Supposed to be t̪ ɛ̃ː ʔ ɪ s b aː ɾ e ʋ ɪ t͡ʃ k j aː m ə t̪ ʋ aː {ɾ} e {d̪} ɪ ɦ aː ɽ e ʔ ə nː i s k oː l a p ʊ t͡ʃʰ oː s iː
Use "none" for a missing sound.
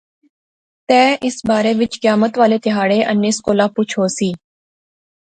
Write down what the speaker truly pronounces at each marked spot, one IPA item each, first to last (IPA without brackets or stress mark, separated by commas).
l, t̪